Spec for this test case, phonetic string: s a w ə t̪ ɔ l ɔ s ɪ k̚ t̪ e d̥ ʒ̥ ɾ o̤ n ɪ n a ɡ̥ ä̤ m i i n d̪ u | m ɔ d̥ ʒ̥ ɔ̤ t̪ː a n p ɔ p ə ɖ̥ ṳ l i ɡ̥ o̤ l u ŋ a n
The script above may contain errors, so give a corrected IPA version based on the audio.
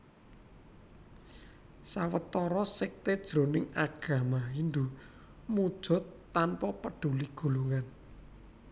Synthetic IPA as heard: s a w ə t̪ ɔ ɾ ɔ s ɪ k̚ t̪ e d̥ ʒ̥ ɾ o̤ n ɪ ŋ a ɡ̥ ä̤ m a i n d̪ u | m u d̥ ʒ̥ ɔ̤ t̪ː a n p ɔ p ə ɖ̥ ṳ l i ɡ̥ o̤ l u ŋ a n